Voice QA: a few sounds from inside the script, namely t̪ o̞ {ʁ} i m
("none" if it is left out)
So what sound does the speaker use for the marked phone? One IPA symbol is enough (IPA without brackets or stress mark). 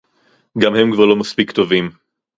v